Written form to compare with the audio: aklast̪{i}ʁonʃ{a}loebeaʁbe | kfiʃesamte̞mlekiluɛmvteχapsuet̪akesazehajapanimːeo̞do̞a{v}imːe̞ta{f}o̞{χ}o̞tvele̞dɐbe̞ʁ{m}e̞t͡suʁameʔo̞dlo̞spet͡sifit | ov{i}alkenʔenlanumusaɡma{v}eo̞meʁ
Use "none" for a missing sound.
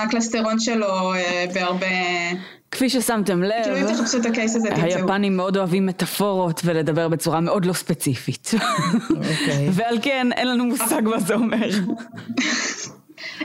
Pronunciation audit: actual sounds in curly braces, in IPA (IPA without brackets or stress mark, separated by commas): e, e, v, f, ʁ, b, e, z